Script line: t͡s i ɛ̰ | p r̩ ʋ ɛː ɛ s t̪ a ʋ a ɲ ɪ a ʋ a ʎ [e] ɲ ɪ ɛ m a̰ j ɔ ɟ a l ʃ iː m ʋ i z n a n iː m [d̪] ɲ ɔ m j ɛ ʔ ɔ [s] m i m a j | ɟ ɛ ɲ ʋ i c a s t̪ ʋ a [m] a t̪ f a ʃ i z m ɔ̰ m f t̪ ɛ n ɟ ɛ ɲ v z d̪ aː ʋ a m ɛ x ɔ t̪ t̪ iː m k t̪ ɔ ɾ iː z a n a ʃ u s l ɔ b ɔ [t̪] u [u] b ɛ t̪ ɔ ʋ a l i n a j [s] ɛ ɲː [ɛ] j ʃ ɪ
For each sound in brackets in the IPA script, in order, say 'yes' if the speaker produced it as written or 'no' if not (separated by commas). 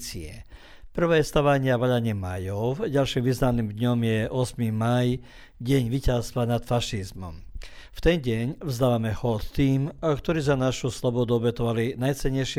no, yes, yes, no, no, no, no, yes